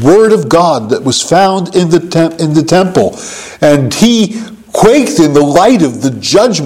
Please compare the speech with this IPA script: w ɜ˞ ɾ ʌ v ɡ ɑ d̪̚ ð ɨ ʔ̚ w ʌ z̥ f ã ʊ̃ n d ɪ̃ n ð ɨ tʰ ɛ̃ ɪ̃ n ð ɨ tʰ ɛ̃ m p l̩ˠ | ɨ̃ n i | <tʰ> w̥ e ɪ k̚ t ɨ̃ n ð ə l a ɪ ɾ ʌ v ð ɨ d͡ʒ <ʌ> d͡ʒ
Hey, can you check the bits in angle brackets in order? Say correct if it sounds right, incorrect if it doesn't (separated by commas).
incorrect, correct